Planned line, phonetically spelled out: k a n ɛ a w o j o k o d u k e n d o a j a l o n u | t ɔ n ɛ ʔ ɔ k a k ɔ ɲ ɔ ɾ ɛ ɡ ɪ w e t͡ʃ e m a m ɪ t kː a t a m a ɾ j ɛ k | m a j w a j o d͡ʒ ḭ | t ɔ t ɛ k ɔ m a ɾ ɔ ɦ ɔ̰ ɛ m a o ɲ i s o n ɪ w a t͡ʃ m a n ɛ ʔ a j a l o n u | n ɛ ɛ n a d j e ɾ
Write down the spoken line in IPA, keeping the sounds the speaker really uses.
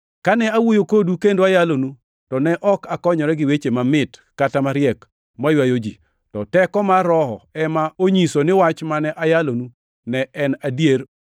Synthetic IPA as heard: k a n ɛ a w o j o k o d u k e n d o a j a l o n u | t ɔ n ɛ ʔ ɔ k a k ɔ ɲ ɔ ɾ ɛ ɡ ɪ w e t͡ʃ e m a m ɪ t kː a t a m a ɾ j ɛ k | m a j w a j o d͡ʒ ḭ | t ɔ t ɛ k ɔ m a ɾ ɔ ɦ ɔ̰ ɛ m a o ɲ i s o n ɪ w a t͡ʃ m a n ɛ ʔ a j a l o n u | n ɛ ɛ n a d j e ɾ